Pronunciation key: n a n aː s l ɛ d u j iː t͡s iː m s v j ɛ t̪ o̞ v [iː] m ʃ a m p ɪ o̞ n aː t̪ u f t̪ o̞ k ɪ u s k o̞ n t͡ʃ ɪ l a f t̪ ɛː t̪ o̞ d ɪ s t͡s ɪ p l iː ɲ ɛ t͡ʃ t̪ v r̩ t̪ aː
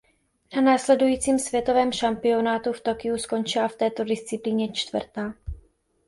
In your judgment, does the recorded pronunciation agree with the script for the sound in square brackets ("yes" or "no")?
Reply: no